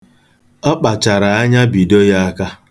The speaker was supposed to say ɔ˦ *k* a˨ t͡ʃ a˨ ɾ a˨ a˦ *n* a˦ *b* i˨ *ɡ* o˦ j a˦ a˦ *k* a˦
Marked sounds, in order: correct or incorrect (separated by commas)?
incorrect, incorrect, correct, incorrect, correct